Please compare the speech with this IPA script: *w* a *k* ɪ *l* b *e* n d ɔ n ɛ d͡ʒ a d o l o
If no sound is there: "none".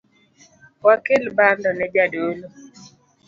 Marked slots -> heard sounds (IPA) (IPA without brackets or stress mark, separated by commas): w, k, l, a